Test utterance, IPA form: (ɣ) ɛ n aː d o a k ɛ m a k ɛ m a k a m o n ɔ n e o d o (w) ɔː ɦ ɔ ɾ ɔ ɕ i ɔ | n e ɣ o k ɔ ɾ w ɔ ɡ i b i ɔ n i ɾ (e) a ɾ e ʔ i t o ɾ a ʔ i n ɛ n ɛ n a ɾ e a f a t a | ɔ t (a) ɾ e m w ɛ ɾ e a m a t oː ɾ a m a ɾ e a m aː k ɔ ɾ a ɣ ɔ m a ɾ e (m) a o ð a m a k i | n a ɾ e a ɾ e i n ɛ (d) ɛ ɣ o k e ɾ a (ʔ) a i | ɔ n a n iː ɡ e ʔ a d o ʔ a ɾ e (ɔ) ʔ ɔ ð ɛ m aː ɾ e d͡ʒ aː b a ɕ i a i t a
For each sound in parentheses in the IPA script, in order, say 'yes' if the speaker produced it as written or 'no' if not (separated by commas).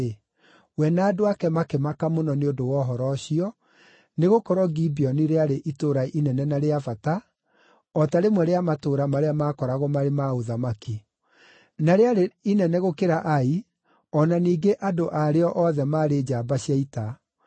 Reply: no, yes, yes, yes, yes, no, yes, yes